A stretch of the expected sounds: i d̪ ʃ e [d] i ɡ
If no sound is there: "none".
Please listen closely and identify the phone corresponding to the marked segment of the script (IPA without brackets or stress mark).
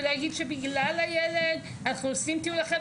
b